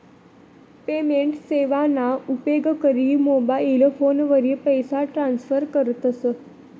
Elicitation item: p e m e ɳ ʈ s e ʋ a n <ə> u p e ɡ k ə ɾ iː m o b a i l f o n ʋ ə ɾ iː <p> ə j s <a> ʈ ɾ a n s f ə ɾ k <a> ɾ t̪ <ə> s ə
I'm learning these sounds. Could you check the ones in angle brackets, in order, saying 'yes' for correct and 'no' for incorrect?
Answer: no, yes, yes, no, yes

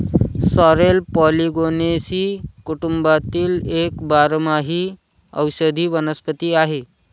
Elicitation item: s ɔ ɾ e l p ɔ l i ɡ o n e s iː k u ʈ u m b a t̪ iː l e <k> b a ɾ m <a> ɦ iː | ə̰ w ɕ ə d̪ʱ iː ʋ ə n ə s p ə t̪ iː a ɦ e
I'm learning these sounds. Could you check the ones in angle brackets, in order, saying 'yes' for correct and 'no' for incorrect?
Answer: yes, yes

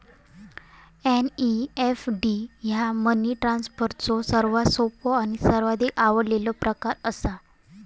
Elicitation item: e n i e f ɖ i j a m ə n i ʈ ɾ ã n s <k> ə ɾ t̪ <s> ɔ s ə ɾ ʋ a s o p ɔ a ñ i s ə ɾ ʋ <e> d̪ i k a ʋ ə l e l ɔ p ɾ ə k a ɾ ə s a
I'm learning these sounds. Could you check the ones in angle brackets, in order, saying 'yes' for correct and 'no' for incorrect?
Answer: no, no, no

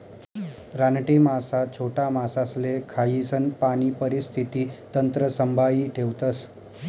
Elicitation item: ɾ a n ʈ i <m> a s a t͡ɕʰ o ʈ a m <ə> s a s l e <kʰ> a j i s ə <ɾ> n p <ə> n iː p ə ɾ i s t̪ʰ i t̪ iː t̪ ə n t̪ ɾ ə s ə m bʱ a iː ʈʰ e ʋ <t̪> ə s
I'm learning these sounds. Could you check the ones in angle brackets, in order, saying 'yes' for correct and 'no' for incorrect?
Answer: yes, no, yes, no, no, yes

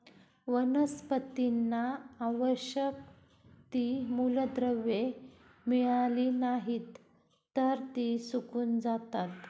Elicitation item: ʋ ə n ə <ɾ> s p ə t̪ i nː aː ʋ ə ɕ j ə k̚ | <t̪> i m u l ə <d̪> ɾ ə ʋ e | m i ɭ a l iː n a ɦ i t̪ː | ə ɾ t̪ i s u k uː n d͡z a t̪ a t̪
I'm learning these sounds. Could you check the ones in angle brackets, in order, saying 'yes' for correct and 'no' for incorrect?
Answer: no, yes, yes

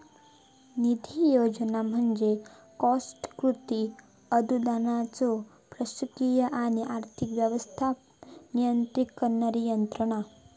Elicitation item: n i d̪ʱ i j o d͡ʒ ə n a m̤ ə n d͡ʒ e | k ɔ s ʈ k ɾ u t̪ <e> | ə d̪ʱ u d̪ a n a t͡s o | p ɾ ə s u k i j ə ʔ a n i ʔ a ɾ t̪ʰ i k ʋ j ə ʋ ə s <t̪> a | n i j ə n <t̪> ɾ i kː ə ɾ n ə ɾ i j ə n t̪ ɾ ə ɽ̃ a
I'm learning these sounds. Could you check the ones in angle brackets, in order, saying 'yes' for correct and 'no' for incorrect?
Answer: no, no, yes

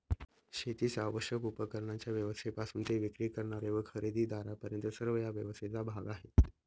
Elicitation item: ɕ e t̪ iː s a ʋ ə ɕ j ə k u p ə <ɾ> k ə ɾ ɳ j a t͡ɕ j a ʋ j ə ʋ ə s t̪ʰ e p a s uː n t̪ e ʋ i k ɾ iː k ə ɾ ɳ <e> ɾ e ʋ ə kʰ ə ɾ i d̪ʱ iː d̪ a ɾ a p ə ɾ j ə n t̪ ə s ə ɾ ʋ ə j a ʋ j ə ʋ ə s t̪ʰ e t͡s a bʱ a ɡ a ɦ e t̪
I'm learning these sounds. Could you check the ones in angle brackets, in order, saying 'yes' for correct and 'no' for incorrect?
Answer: no, no

